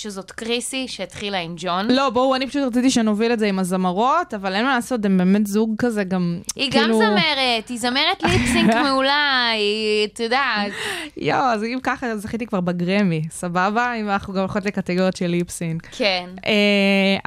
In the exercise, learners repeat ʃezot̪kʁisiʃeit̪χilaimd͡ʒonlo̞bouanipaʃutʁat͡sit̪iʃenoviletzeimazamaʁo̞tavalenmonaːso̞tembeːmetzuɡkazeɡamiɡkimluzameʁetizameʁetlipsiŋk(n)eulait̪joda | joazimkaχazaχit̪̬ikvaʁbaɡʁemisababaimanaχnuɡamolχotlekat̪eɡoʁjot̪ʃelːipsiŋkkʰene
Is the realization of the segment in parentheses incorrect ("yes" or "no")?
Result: yes